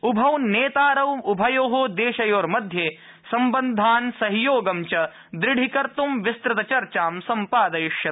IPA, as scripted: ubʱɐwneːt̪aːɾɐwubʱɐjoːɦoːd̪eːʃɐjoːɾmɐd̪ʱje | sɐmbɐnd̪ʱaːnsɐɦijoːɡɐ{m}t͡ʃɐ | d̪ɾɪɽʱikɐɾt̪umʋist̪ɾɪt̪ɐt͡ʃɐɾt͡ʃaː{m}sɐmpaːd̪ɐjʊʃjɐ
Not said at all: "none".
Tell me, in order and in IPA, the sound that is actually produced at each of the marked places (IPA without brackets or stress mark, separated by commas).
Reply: m, m